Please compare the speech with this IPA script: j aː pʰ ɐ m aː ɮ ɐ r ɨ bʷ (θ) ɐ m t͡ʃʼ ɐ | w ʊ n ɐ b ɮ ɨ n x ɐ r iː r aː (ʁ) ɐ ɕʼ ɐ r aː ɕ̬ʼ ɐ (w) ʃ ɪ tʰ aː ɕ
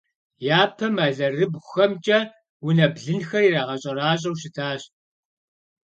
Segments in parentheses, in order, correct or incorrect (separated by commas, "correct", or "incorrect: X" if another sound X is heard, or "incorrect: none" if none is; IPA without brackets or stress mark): incorrect: x, correct, correct